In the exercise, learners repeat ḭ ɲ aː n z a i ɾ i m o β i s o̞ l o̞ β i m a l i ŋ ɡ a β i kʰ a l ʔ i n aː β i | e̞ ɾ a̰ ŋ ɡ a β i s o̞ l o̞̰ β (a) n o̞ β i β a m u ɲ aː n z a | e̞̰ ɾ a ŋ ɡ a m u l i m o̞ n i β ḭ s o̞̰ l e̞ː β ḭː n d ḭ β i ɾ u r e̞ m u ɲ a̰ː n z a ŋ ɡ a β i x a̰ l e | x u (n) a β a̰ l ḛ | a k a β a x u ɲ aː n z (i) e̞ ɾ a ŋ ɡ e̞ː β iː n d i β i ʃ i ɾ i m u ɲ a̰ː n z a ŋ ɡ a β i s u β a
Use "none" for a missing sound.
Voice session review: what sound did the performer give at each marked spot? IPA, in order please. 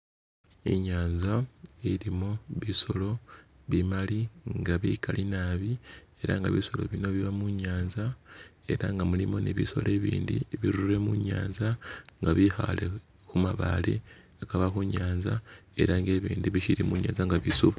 i, m, a

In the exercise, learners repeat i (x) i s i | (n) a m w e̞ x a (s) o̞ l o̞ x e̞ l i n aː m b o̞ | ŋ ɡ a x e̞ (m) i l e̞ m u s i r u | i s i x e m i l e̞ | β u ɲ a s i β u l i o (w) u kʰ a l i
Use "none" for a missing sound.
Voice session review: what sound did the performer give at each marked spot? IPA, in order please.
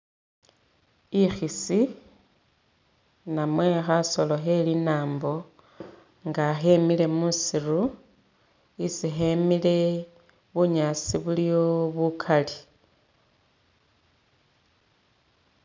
x, n, s, m, β

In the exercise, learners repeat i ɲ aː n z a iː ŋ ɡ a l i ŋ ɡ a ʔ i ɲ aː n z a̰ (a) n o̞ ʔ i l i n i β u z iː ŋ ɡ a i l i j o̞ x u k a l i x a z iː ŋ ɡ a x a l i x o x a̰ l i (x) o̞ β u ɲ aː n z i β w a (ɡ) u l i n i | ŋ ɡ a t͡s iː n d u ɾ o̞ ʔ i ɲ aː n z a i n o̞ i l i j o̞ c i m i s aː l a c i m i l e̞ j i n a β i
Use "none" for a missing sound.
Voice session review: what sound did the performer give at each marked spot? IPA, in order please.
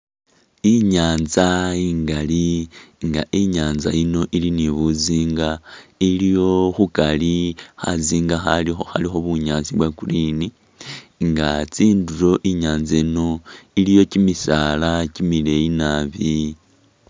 i, x, k

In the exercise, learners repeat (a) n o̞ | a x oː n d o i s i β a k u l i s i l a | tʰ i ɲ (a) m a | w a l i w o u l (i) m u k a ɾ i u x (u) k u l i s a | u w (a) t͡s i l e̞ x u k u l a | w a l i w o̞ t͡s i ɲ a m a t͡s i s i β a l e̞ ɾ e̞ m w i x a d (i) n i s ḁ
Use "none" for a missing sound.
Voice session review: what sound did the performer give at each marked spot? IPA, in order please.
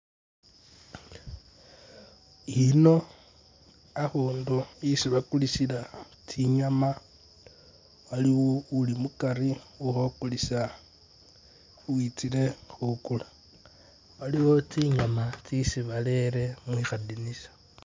i, a, i, o, i, i

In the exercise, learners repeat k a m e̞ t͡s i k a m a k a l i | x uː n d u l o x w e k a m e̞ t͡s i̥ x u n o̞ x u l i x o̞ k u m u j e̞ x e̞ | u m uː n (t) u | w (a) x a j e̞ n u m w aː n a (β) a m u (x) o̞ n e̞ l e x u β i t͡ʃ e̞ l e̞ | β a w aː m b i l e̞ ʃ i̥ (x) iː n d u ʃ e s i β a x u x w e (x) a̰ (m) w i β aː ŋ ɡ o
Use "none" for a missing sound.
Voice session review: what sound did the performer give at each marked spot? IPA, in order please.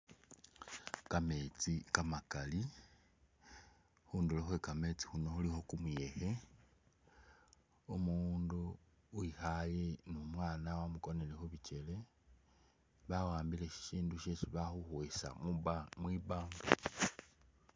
d, i, w, k, ʃ, s, m

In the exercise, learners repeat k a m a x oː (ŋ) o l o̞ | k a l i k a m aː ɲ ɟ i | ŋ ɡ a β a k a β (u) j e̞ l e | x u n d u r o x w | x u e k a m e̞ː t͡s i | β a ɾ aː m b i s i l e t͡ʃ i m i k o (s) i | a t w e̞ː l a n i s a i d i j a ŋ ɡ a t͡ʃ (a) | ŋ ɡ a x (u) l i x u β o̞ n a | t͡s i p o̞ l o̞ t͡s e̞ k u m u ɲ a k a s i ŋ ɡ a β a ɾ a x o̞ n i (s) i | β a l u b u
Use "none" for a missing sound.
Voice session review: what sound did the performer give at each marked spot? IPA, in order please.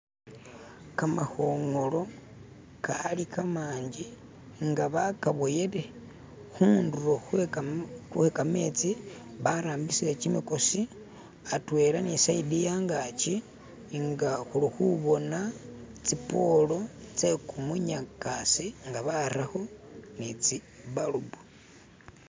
ŋ, o, s, i, u, t͡s

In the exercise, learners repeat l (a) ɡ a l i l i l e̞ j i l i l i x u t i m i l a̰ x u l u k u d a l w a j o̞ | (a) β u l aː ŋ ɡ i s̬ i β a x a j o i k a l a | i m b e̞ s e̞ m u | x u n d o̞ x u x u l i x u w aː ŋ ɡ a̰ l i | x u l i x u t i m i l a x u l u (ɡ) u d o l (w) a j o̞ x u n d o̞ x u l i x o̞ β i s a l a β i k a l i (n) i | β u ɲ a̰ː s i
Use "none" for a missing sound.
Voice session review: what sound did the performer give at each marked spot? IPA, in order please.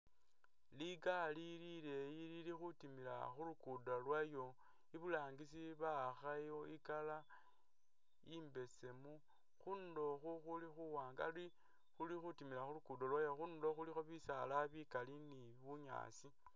i, i, k, w, n

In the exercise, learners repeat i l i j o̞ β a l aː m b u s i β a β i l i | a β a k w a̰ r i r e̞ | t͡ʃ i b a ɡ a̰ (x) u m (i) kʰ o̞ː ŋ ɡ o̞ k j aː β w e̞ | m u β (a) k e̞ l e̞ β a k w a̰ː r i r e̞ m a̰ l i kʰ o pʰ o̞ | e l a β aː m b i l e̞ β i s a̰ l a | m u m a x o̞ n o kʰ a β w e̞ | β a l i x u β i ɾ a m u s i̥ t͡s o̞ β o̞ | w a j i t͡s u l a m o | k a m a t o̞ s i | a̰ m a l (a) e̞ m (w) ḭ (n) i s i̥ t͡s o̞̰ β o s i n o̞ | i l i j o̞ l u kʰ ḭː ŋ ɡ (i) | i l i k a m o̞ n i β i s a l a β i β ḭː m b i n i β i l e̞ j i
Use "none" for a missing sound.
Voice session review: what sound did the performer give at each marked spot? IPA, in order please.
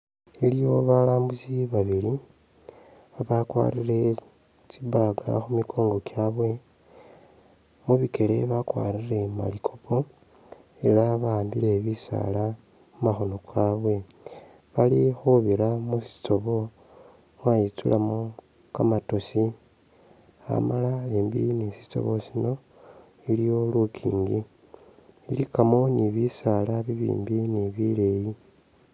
x, i, i, a, b, n, i

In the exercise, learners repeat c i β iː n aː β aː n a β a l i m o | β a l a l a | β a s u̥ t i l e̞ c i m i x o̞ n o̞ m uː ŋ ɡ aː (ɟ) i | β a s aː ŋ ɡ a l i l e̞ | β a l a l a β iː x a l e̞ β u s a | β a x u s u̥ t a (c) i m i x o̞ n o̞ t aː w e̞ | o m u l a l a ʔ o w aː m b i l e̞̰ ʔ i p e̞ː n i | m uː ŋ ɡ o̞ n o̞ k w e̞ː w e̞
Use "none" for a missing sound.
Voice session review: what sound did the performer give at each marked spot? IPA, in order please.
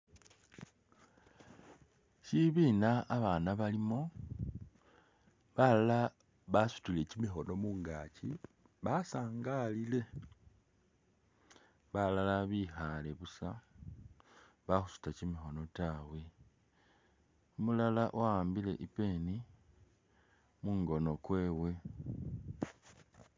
c, c

